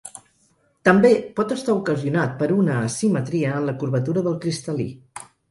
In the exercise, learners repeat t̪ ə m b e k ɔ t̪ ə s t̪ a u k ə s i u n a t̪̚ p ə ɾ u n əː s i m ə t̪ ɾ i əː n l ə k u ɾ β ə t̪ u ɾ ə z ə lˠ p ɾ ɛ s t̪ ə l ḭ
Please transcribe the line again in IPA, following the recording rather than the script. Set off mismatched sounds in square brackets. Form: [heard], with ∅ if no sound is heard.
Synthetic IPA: t̪ ə m b e [p] ɔ t̪ ə s t̪ a u k ə [z] i u n a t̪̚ p ə ɾ u n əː s i m ə t̪ ɾ i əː n l ə k u ɾ β ə t̪ u ɾ ə [ð] ə lˠ [k] ɾ [i] s t̪ ə l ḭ